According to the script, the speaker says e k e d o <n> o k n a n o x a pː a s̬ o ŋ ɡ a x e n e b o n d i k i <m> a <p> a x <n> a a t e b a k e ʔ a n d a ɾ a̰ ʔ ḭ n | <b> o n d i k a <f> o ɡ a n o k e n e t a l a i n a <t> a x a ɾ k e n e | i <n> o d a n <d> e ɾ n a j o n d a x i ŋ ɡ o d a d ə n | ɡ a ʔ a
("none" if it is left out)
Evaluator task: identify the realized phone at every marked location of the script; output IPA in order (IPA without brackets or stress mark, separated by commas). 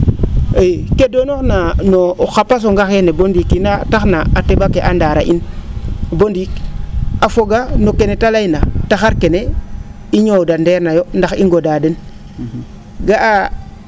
n, n, t, n, b, f, t, ɲ, d